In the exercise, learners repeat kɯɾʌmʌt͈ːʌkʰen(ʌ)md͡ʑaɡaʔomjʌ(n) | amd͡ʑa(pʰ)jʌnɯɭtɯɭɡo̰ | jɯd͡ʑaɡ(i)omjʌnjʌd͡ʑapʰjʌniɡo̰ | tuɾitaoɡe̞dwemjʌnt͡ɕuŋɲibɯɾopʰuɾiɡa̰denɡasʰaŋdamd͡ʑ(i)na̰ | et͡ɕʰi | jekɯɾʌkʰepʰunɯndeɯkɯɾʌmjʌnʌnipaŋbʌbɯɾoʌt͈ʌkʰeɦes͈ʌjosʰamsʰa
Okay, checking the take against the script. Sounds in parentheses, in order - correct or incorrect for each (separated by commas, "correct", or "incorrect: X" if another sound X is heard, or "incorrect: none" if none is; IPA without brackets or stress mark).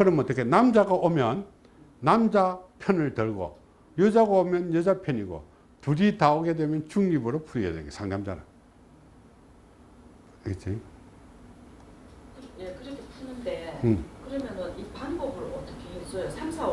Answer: incorrect: a, incorrect: nː, correct, incorrect: a, incorrect: a